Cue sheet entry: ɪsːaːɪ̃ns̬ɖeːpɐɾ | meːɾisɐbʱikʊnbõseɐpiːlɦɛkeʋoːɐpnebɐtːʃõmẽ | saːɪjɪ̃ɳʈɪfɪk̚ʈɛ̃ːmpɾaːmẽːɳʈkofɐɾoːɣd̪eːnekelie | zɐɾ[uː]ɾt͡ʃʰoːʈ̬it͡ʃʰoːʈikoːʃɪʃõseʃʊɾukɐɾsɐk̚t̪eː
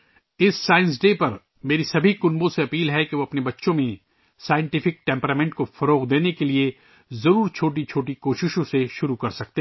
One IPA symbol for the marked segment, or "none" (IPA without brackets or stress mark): uː